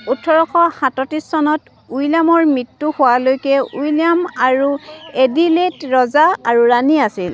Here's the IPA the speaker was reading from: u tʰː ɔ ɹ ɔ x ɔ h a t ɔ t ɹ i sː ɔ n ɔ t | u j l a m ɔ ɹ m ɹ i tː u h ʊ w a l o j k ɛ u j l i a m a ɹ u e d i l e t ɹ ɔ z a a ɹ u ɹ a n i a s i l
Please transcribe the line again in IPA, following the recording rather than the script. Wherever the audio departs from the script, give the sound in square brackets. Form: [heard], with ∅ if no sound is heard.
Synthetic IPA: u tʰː ɔ ɹ ɔ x ɔ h a t ɔ t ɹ i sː ɔ n ɔ t | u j l a m ɔ ɹ m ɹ i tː u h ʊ w a l o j k ɛ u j l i a m a ɹ u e d i l e t ɹ ɔ z a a ɹ u ɹ a n i a s i l